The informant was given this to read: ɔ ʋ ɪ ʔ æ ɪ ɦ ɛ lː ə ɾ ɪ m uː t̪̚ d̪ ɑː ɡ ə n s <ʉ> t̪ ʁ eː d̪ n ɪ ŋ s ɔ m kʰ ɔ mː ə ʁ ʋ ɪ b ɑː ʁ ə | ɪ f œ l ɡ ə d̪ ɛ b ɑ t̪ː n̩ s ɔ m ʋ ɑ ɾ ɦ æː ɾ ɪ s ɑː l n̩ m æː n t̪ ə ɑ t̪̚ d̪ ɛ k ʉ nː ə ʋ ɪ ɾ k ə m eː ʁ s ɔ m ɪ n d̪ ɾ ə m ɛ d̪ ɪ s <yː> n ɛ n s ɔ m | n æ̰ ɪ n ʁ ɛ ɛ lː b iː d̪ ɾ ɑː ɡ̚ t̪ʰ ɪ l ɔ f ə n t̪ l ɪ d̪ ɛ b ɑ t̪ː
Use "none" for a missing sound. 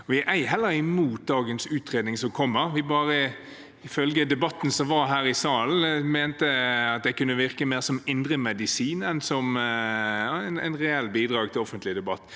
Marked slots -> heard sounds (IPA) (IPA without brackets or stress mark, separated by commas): ʉː, iː